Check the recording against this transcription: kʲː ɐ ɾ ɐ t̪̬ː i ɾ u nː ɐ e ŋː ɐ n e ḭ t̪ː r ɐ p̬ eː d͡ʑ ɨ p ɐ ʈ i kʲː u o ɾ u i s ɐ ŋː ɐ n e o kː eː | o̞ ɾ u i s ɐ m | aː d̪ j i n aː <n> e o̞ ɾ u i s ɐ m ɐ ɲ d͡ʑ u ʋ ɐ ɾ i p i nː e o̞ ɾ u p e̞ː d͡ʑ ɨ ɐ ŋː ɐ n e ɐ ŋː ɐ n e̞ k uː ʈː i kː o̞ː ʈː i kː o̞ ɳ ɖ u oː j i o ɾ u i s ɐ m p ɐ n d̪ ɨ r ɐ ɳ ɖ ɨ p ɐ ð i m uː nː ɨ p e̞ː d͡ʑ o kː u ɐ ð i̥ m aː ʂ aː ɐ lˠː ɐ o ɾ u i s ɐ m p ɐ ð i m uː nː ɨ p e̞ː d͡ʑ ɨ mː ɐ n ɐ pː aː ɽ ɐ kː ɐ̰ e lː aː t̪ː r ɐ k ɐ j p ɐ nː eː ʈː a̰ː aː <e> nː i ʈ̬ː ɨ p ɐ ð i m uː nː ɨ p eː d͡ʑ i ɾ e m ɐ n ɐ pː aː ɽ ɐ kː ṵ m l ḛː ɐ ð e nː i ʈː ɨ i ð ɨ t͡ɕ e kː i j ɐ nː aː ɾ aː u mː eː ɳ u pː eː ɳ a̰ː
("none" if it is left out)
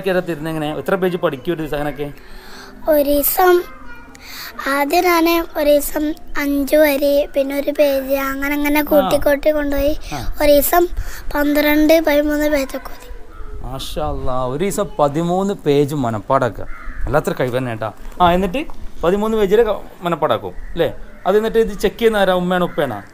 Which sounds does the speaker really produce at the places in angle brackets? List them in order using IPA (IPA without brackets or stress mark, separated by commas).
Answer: n, e